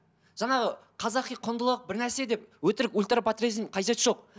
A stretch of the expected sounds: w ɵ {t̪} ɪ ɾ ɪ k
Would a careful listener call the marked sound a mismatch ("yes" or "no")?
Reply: no